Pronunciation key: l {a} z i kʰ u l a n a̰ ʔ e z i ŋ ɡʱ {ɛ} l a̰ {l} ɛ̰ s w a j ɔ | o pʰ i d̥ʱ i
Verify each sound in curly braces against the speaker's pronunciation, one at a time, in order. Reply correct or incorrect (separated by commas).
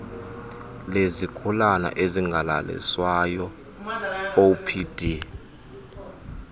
incorrect, incorrect, correct